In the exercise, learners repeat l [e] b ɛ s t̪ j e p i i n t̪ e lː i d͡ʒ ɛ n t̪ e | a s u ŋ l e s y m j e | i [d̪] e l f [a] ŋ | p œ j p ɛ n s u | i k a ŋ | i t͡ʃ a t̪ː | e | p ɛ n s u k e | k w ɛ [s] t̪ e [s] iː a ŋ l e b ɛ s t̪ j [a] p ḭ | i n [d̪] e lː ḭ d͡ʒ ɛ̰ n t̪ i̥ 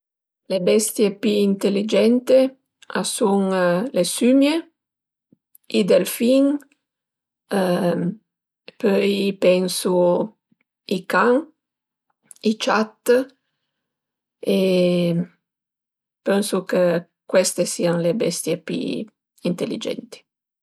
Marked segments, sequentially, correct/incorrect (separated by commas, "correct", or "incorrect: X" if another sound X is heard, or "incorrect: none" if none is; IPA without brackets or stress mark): correct, correct, incorrect: i, correct, correct, incorrect: e, incorrect: t̪